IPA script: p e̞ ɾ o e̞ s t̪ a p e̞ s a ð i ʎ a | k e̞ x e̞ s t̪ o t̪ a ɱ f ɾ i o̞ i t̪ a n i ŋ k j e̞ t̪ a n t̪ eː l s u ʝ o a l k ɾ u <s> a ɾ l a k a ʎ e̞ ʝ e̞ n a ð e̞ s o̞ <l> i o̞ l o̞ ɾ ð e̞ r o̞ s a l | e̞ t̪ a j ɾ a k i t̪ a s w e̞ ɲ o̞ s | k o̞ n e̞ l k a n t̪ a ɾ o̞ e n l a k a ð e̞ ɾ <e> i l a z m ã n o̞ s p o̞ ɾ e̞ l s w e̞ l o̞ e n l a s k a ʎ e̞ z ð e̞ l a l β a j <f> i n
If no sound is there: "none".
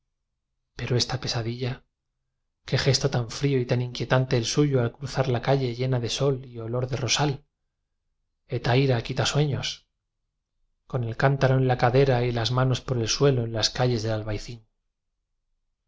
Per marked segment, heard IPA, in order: θ, l, a, θ

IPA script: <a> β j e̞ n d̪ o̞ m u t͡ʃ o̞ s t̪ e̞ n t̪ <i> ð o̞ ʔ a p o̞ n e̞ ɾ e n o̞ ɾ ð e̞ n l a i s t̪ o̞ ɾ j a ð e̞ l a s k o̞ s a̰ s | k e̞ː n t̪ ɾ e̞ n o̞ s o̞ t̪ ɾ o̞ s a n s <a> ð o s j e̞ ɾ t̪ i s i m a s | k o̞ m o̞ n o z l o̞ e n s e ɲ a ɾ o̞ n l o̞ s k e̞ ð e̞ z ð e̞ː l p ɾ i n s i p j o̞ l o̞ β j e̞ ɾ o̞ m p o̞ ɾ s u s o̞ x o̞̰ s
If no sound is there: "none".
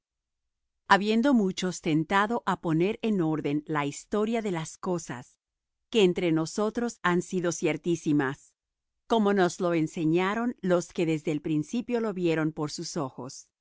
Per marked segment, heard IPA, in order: a, a, i

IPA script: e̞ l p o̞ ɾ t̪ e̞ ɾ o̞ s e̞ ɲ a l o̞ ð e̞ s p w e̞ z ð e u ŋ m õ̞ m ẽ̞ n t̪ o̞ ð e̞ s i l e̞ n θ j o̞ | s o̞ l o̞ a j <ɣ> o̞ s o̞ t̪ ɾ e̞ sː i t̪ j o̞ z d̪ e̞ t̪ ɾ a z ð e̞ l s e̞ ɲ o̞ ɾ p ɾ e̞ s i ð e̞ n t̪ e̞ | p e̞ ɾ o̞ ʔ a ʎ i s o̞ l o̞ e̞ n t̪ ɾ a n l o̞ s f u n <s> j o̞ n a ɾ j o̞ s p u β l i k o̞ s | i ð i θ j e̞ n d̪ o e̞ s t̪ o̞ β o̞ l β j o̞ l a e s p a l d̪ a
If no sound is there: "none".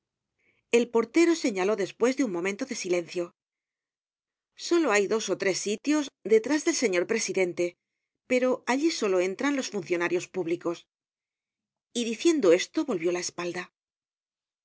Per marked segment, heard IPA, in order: ð, θ

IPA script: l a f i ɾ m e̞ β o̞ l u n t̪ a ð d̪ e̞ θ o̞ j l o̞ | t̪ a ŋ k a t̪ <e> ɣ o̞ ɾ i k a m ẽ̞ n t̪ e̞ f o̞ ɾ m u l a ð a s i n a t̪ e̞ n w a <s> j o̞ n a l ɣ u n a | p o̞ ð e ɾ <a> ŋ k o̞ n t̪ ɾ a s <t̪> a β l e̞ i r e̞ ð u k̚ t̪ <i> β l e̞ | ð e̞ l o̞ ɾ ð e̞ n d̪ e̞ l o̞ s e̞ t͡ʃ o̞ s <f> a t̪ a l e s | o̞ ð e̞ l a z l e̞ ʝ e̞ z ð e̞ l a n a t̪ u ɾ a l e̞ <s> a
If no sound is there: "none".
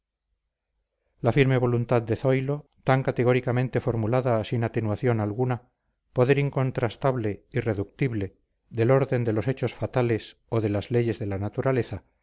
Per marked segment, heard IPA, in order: e, θ, i, t̪, i, f, θ

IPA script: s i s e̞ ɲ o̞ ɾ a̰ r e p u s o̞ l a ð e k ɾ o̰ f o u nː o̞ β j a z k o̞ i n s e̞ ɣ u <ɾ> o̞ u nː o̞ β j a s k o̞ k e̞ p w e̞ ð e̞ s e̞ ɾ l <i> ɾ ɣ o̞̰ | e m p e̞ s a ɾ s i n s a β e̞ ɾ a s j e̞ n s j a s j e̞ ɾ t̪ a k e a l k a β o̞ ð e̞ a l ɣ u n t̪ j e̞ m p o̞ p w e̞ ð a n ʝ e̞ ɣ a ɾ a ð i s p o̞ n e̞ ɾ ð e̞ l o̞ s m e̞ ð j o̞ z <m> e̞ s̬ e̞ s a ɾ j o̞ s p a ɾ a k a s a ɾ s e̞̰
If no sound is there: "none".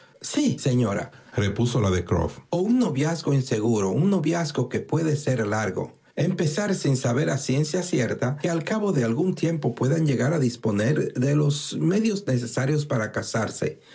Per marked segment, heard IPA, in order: ɾ, a, n

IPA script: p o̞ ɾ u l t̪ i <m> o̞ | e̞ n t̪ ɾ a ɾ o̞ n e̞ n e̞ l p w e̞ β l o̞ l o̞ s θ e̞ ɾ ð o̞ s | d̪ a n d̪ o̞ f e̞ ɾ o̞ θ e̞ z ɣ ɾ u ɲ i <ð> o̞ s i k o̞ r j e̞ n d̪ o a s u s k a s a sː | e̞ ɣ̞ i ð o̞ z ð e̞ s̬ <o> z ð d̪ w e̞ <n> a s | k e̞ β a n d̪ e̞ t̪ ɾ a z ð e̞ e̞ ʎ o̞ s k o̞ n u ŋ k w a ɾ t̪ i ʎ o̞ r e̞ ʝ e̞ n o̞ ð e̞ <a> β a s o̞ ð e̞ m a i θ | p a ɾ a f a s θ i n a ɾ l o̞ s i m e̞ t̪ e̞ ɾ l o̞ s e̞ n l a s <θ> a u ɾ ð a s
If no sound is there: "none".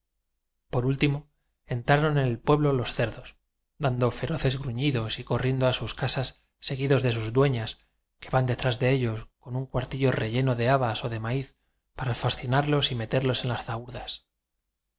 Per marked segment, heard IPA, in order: m, ð, u, ɲ, a, θ

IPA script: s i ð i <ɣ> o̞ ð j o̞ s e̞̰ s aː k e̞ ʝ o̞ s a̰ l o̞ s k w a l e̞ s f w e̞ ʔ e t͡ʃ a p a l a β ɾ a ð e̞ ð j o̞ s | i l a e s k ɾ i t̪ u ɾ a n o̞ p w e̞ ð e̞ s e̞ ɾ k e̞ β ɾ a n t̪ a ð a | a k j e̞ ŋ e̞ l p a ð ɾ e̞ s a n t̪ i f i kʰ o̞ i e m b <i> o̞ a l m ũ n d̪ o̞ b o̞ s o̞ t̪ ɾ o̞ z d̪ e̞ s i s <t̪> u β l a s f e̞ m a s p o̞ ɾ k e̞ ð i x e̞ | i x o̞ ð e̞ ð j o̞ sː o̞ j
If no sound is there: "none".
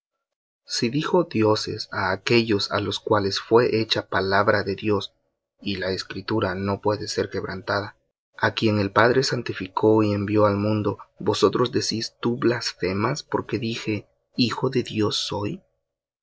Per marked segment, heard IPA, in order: x, j, t̪

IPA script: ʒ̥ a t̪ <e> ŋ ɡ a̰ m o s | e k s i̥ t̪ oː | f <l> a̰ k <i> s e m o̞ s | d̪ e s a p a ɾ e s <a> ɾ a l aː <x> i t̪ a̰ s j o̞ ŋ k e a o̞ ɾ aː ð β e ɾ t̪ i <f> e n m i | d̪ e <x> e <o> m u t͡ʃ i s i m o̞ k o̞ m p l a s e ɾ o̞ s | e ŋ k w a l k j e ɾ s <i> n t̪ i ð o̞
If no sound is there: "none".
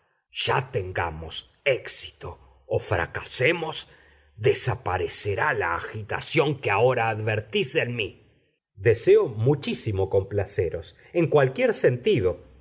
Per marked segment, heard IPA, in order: e, ɾ, a, e, x, s, s, o, e

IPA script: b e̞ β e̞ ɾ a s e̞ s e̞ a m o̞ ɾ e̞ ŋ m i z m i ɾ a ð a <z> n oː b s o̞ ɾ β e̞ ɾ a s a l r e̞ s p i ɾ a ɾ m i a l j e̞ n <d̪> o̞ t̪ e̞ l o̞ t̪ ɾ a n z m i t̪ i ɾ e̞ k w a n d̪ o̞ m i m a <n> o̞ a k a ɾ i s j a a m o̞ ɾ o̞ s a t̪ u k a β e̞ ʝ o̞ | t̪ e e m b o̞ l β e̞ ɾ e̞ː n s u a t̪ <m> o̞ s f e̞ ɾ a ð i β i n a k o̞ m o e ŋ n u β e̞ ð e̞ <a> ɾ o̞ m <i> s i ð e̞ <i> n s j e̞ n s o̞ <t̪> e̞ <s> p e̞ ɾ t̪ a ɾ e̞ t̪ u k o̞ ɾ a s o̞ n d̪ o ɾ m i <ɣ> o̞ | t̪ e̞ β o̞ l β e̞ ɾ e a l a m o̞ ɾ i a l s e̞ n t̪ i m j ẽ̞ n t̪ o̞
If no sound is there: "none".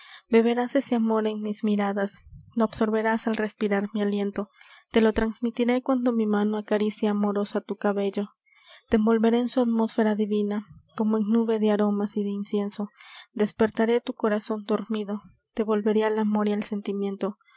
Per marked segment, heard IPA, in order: s, t̪, n, m, a, a, i, d̪, s, ð

